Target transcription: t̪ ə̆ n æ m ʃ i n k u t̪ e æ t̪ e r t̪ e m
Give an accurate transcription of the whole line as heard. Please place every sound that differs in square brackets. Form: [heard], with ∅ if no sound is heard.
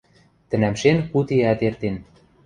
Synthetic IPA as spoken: t̪ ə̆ n æ m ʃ [e] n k u t̪ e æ t̪ e r t̪ e [n]